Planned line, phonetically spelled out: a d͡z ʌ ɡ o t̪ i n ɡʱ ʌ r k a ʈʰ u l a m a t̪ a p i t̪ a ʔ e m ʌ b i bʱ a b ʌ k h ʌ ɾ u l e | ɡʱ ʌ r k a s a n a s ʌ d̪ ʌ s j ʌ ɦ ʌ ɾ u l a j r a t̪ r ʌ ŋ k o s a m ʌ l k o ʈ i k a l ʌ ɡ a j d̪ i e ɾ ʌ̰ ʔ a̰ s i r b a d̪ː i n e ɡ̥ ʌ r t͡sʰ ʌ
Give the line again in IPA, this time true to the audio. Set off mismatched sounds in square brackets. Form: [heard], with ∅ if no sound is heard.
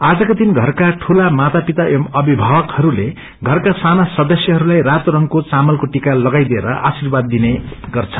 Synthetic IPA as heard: a d͡z ʌ [k] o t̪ i n ɡʱ ʌ r k a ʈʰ u l a m a t̪ a p i t̪ a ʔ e m ʌ b i bʱ a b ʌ k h ʌ ɾ u l e | ɡʱ ʌ r k a s a n a s ʌ d̪ ʌ s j ʌ ɦ ʌ ɾ u l a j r a t̪ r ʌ ŋ k o [t͡s] a m ʌ l k o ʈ i k a l ʌ ɡ a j d̪ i e ɾ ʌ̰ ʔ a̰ s i r b a d̪ː i n e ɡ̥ ʌ r t͡sʰ ʌ

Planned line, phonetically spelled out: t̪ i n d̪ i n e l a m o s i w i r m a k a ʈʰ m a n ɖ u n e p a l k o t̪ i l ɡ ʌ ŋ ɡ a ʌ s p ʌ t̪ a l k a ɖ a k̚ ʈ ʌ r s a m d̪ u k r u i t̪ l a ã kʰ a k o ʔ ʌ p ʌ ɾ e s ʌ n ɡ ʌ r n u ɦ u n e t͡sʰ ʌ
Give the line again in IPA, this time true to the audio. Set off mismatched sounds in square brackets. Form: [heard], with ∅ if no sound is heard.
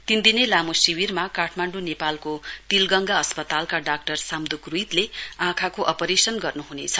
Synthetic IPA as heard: t̪ i n d̪ i n e l a m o s i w i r m a k a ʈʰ m a [ɳ] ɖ u n e p a l k o t̪ i l ɡ ʌ ŋ ɡ a ʌ s p ʌ t̪ a l k a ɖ a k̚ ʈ ʌ r s a m d̪ u k r u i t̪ l [e] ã kʰ a k o ʔ ʌ p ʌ ɾ e s ʌ n ɡ ʌ r n u ɦ u n e t͡sʰ ʌ

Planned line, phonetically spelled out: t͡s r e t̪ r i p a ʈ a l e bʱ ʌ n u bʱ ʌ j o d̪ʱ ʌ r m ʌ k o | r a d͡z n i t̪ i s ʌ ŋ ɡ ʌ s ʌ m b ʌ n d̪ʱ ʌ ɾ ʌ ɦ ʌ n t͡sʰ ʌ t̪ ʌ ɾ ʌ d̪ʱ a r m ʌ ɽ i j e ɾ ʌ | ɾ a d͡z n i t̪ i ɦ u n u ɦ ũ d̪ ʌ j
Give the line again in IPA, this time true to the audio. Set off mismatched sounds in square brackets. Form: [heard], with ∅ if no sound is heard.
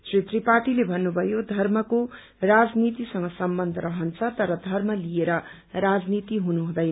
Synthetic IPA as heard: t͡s r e t̪ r i p a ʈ [i] l e bʱ ʌ [nː] u bʱ ʌ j o d̪ʱ ʌ r m ʌ k o | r a d͡z n i t̪ i s ʌ ŋ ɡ ʌ s ʌ m b ʌ n d̪ʱ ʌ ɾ ʌ ɦ ʌ n t͡sʰ ʌ t̪ ʌ ɾ ʌ d̪ʱ [ʌ] r m ʌ [l] i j e ɾ ʌ | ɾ a d͡z n i t̪ i ɦ u n u ɦ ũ d̪ ʌ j

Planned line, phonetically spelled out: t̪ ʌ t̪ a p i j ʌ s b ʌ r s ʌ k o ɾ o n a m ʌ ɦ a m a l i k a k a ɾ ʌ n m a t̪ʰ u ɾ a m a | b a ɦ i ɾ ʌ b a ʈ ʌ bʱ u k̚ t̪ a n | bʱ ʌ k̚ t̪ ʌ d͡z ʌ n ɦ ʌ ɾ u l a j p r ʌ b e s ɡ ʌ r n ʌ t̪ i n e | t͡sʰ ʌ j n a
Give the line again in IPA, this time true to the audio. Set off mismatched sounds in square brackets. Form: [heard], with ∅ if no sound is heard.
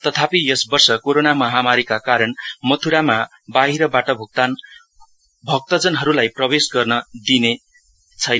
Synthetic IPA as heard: t̪ ʌ [t̪ʰ] a p i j ʌ s b ʌ r s ʌ k o ɾ o n a m ʌ ɦ a m a [ɾ] i k a k a ɾ ʌ n m [ʌ] t̪ʰ u ɾ a m a | b a ɦ i ɾ ʌ b a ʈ ʌ bʱ u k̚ t̪ a n | bʱ ʌ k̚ t̪ ʌ d͡z ʌ n ɦ ʌ ɾ u l a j p r ʌ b e s ɡ ʌ r n ʌ [d̪] i n e | t͡sʰ ʌ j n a

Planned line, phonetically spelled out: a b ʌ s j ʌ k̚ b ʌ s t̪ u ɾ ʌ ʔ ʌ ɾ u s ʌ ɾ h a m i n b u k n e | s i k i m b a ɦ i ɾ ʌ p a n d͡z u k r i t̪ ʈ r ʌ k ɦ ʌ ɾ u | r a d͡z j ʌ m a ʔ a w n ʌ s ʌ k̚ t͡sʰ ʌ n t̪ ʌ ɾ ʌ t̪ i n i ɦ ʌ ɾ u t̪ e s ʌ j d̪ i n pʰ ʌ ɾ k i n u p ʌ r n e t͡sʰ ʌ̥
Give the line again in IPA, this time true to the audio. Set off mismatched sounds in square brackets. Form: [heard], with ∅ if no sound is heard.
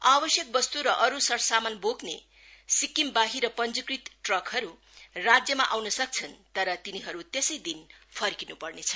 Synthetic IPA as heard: a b ʌ s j ʌ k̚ b ʌ s t̪ u ɾ ʌ ʔ ʌ ɾ u s ʌ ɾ [s] a m [a] n b [o] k n e | s i k i m b a ɦ i ɾ ʌ p [ʌ] n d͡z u k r i t̪ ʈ r ʌ k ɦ ʌ ɾ u | r a d͡z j ʌ m a ʔ a w n ʌ s ʌ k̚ t͡sʰ ʌ n t̪ ʌ ɾ ʌ t̪ i n i ɦ ʌ ɾ u t̪ e s ʌ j d̪ i n pʰ ʌ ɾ k i n u p ʌ r n e t͡sʰ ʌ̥

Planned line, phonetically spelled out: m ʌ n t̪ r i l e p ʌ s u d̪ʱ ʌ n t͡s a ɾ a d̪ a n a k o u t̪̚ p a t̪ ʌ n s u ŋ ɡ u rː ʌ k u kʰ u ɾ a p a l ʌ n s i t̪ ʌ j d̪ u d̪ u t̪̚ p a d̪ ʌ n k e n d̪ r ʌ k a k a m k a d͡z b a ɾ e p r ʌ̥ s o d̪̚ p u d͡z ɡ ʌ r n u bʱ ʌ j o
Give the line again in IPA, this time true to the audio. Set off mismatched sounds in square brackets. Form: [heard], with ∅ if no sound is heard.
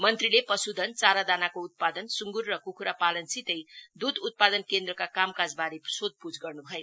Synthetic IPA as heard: m ʌ n t̪ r i l e p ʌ s u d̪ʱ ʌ n t͡s a ɾ a d̪ a n a k o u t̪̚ p a [d̪] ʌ n s u ŋ ɡ u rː ʌ k u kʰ u ɾ a p a l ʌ n s i t̪ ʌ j d̪ u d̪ u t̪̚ p a d̪ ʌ n k e n d̪ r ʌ k a k a m k a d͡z b a ɾ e p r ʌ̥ s o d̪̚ p u d͡z ɡ ʌ r n u bʱ ʌ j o

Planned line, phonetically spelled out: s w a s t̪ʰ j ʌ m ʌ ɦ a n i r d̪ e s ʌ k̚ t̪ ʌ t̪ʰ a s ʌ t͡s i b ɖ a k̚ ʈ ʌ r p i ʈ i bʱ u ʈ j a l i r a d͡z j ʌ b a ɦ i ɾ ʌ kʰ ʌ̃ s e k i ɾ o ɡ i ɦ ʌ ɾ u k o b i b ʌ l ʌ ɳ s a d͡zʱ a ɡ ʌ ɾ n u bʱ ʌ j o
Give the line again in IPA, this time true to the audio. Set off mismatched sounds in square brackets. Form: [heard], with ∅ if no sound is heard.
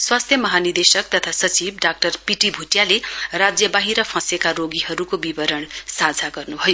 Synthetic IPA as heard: s w a s t̪ʰ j ʌ m ʌ ɦ a n i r d̪ e s ʌ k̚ t̪ ʌ t̪ʰ a s ʌ t͡s i b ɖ a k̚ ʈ ʌ r p i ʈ i bʱ u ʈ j a l [e] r a d͡z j ʌ b a ɦ i ɾ ʌ [pʰ] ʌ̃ s e k [a] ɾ o ɡ i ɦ ʌ ɾ u k o b i b ʌ [ɾ] ʌ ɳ s a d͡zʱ a ɡ ʌ [r] n u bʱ ʌ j o

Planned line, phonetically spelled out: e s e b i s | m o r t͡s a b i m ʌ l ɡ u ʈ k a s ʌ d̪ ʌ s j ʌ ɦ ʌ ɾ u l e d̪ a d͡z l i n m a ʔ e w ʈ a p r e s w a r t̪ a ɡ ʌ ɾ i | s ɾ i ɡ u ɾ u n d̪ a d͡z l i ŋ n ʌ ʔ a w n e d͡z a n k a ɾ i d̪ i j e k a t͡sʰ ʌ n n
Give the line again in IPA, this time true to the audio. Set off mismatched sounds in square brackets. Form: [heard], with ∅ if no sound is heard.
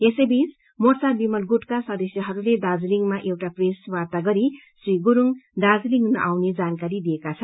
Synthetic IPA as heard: e s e b i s | m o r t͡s a b i m ʌ l ɡ u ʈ k a s ʌ d̪ ʌ s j ʌ ɦ ʌ ɾ u l e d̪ a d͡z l i [ŋ] m a ʔ e w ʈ a p r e s w a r t̪ a ɡ ʌ ɾ i | s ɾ i ɡ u ɾ u [ŋ] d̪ a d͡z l i ŋ n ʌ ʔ a w n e d͡z a n k a ɾ i d̪ i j e k a t͡sʰ ʌ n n

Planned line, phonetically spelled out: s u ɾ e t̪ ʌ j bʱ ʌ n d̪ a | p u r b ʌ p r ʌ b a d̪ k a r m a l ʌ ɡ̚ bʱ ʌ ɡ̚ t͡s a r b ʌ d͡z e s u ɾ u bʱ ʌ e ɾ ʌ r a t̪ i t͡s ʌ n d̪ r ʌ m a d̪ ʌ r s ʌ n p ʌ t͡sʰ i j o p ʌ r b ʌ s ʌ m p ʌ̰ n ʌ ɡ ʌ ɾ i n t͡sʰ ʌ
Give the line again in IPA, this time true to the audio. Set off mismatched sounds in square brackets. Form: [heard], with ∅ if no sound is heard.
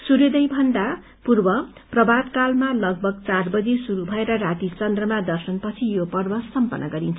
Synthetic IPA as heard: s u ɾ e [d̪] ʌ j bʱ ʌ n d̪ a | p u r b ʌ p r ʌ b a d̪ k a [l] m a l ʌ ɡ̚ bʱ ʌ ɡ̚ t͡s a r b ʌ d͡z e s u ɾ u bʱ ʌ e ɾ ʌ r a t̪ i t͡s ʌ n d̪ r ʌ m a d̪ ʌ r s ʌ n p ʌ t͡sʰ i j o p ʌ r b ʌ s ʌ m p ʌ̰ n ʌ ɡ ʌ ɾ i n t͡sʰ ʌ

